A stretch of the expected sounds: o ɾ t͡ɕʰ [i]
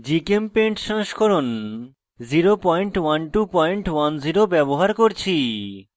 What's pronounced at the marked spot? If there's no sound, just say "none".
i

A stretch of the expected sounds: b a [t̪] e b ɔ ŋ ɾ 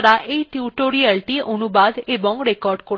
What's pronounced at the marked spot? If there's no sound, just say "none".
d̪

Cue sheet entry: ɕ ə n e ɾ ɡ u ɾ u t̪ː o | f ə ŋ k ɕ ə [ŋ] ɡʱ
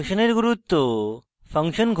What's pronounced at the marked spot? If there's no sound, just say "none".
n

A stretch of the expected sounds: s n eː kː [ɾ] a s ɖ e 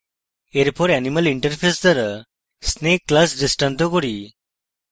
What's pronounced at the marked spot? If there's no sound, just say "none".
l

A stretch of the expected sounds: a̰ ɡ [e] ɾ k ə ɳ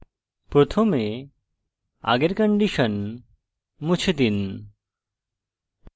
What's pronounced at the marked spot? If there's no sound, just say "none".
e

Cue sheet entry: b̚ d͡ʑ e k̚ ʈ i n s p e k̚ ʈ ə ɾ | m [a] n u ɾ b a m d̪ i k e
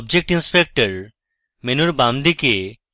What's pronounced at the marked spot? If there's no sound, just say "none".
e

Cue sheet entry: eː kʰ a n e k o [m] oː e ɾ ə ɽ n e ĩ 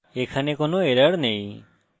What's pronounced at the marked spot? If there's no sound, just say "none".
n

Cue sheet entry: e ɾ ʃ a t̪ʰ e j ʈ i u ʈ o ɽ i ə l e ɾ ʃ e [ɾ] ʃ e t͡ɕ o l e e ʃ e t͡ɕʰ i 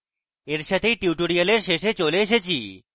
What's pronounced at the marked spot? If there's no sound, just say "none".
none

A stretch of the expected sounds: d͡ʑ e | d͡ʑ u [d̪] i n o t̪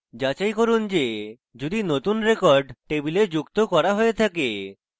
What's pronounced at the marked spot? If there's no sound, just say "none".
d̪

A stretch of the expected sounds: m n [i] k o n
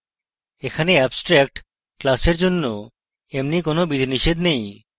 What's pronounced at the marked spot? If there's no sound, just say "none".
i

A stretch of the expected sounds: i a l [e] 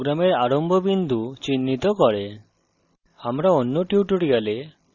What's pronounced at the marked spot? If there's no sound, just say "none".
e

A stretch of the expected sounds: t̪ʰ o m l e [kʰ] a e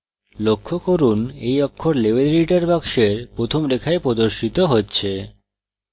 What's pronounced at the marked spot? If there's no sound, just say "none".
kʰ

